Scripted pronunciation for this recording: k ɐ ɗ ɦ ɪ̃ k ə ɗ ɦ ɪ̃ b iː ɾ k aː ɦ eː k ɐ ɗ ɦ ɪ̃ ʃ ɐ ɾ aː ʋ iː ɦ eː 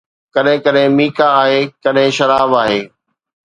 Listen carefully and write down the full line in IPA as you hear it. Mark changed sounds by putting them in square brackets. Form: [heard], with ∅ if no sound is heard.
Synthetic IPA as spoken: k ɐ ɗ ɦ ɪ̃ k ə ɗ ɦ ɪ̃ [m] iː [∅] k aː ɦ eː k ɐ ɗ ɦ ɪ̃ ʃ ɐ ɾ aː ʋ [aː] ɦ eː